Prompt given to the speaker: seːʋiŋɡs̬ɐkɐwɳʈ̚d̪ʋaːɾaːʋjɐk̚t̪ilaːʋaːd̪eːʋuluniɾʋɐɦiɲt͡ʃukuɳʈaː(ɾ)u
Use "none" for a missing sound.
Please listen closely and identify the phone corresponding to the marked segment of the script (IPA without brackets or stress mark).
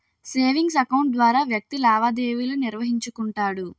ɽ